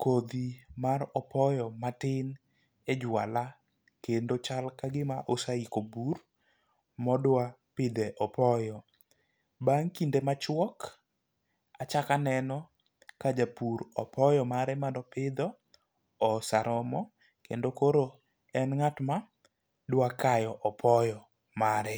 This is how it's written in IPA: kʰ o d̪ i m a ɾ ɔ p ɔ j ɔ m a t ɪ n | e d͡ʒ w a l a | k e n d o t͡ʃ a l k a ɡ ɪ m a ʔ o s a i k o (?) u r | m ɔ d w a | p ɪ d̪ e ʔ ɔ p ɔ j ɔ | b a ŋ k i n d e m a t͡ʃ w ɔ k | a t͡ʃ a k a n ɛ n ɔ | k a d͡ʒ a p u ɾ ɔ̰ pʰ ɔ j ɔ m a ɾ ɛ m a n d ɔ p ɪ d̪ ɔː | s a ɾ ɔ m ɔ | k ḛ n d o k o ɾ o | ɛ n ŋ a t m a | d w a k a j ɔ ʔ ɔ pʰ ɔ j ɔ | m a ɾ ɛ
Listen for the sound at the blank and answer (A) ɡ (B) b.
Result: B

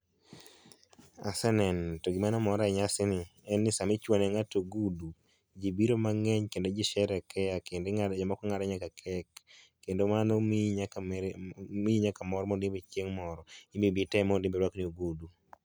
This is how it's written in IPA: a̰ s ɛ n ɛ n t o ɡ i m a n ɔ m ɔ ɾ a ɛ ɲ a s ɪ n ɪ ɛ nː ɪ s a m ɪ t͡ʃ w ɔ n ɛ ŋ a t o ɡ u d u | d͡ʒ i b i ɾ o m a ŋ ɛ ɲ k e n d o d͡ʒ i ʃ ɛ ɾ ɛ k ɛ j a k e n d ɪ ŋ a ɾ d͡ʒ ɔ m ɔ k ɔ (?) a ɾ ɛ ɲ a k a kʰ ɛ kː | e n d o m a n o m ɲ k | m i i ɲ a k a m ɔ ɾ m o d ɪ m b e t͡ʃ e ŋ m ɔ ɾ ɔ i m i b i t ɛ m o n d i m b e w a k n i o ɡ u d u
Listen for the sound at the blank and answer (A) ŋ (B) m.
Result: A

